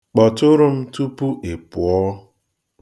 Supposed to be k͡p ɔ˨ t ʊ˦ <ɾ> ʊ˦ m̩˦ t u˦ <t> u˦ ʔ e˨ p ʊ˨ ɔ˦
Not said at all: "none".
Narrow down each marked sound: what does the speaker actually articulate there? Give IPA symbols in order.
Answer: ɾ, p

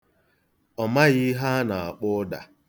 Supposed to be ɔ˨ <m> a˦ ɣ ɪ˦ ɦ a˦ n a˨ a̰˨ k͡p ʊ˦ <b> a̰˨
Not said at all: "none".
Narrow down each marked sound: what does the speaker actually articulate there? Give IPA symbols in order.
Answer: m, d

